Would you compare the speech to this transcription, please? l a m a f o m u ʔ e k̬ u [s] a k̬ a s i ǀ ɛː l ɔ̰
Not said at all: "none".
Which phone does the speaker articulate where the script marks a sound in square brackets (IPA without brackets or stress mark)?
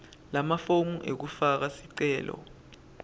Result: f